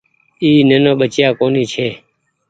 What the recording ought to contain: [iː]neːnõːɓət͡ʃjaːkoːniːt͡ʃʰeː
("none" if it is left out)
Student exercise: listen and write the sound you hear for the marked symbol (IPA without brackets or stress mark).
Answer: iː